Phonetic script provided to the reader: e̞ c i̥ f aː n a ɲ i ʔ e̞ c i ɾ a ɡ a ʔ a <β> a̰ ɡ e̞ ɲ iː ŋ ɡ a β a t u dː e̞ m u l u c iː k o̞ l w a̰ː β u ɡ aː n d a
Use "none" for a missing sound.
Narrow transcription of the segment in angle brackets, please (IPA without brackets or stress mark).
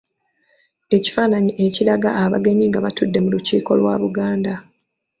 β